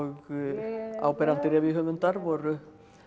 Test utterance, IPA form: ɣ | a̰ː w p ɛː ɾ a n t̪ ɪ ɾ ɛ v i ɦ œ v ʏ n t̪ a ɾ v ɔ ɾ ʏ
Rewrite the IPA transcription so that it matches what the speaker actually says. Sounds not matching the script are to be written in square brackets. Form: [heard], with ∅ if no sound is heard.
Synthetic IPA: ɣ | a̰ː w p [ɛ] ɾ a n t̪ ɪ ɾ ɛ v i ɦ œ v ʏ n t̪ a ɾ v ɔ ɾ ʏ